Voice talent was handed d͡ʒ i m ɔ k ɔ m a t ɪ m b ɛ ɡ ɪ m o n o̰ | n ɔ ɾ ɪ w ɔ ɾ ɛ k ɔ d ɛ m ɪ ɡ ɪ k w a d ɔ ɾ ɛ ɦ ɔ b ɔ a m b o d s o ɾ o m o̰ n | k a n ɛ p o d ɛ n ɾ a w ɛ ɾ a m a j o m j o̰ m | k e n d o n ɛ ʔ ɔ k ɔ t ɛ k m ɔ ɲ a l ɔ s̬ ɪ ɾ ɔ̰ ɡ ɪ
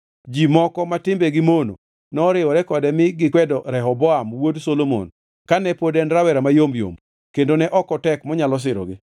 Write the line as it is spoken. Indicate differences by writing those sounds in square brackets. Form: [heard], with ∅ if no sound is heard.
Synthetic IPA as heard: d͡ʒ i m ɔ k ɔ m a t ɪ m b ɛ ɡ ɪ m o n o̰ | n ɔ ɾ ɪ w ɔ ɾ ɛ k ɔ d ɛ m ɪ ɡ ɪ k w [ɛ] d ɔ ɾ ɛ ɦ ɔ b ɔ a m [w] o d s o [l] o m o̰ n | k a n ɛ p o d ɛ n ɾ a w ɛ ɾ a m a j o m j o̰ m | k e n d o n ɛ ʔ ɔ k ɔ t ɛ k m ɔ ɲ a l ɔ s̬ ɪ ɾ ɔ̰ ɡ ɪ